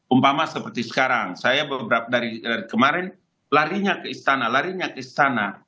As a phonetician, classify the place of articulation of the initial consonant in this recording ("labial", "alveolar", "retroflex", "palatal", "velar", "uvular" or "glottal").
labial